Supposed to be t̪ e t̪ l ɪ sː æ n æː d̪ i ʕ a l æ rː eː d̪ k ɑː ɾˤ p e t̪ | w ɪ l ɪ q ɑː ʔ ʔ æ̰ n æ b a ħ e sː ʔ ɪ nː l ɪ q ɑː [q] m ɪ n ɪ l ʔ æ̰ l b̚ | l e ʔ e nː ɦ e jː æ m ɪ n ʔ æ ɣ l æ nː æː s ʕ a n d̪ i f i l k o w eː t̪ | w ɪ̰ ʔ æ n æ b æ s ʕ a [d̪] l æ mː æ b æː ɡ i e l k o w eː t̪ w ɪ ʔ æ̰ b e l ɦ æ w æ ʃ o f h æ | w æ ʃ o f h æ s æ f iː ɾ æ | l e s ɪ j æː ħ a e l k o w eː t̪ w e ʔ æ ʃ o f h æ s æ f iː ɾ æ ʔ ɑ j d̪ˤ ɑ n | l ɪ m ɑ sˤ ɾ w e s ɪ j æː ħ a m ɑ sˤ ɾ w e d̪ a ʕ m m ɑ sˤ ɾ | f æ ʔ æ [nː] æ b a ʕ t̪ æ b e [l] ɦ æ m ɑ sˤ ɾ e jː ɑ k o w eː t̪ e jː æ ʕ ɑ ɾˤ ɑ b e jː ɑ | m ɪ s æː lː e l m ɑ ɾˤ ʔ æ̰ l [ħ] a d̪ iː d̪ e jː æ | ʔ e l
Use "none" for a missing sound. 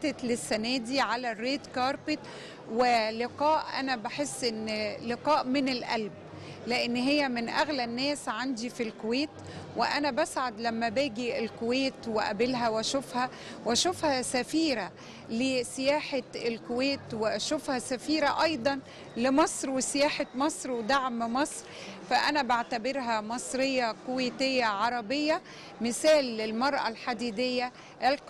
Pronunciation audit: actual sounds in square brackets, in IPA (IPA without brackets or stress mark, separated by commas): ʔ, d̪, n, ɾ, ħ